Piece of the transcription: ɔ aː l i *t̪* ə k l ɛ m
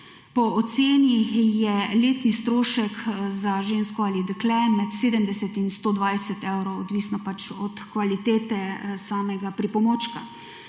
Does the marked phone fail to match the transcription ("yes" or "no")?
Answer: yes